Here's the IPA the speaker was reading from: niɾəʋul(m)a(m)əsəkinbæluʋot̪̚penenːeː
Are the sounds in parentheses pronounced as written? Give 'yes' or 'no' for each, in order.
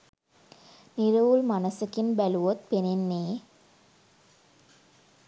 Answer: yes, no

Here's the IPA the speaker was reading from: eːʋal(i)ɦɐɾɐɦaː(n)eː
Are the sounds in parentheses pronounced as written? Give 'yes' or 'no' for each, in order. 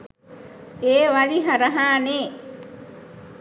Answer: yes, yes

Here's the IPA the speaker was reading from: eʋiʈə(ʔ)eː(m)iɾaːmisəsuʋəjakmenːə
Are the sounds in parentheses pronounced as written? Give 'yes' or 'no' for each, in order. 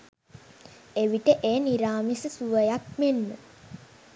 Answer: yes, no

